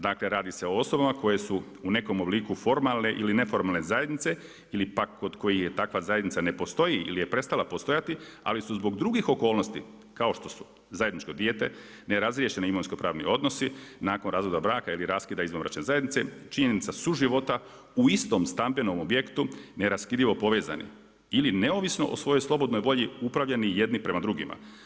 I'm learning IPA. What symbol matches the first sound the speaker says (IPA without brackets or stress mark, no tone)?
d̪